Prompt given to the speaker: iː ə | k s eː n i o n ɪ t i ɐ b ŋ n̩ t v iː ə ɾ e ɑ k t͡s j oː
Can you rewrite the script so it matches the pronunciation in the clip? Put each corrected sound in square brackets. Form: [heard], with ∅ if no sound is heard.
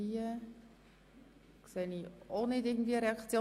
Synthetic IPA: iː ə | k s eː n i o n ɪ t [ɪ] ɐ [ɡ] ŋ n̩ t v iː ə ɾ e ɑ k t͡s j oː